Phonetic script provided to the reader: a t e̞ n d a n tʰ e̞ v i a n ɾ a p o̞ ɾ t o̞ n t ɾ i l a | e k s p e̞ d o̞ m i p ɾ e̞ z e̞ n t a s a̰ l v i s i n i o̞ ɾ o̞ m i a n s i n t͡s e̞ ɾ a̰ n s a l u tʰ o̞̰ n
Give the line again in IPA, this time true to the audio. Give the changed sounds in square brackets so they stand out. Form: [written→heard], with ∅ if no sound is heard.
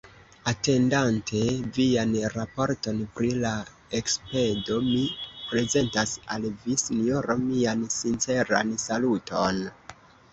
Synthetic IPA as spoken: a t e̞ n d a n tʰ e̞ v i a n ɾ a p o̞ ɾ t o̞ n [t→p] ɾ i l a | e k s p e̞ d o̞ m i p ɾ e̞ z e̞ n t a s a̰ l v i s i n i o̞ ɾ o̞ m i a n s i n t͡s e̞ ɾ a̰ n s a l u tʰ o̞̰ n